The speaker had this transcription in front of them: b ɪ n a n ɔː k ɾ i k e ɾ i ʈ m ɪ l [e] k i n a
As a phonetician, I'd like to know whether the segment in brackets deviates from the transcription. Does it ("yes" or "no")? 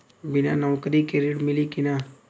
yes